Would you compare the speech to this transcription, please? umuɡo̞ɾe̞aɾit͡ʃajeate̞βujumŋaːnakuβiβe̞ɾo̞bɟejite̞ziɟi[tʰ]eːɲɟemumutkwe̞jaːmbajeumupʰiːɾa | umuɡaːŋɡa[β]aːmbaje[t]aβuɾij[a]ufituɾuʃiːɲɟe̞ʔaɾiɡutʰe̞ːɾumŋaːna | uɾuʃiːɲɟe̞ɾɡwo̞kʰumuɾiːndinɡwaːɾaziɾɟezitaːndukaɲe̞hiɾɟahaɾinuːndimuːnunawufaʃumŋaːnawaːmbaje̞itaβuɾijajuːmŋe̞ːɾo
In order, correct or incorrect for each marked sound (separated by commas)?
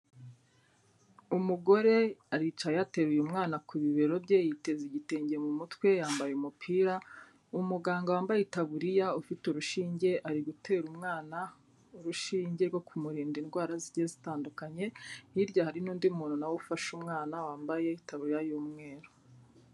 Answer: incorrect, incorrect, correct, correct